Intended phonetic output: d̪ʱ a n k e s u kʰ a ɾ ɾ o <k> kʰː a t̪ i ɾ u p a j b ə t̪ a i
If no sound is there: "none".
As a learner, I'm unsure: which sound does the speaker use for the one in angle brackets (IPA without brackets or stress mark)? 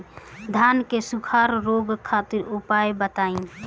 ɡ